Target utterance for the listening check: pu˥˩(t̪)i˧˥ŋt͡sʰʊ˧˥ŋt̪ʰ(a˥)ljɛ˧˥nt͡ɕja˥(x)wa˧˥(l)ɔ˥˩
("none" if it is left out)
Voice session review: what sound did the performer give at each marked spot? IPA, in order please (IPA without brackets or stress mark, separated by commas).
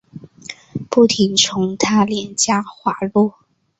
t̪ʰ, a˥, x, l